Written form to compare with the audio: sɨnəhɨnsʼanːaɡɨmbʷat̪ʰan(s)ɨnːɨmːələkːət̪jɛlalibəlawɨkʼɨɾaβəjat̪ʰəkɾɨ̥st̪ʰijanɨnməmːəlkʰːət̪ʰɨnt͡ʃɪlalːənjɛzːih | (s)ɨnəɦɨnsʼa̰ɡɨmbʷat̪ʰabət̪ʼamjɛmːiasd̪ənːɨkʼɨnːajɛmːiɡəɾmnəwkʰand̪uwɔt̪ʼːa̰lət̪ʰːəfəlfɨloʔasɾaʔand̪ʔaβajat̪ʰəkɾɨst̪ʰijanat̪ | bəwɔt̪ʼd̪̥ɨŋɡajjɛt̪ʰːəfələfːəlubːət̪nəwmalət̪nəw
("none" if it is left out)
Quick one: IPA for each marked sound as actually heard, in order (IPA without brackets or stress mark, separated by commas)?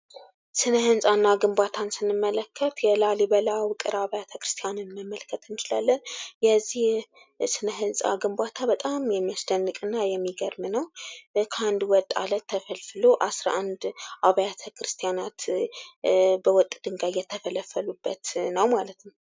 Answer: s, s